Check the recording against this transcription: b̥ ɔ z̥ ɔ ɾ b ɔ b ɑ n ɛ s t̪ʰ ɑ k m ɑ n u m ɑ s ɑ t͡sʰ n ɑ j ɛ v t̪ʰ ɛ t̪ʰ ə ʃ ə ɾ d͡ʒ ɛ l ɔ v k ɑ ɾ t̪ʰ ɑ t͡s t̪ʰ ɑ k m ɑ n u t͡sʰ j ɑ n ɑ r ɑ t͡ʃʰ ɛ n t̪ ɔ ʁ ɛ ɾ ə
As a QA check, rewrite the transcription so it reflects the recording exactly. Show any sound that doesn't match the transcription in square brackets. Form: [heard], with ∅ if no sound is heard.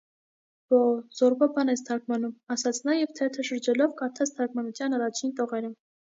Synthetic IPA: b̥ ɔ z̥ ɔ ɾ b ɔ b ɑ n ɛ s t̪ʰ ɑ k m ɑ n u m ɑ s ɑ t͡sʰ n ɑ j ɛ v t̪ʰ ɛ t̪ʰ ə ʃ ə ɾ d͡ʒ ɛ l ɔ v k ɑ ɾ t̪ʰ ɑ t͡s t̪ʰ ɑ k m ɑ n u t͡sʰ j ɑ n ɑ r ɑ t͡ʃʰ [i] n t̪ ɔ ʁ ɛ ɾ ə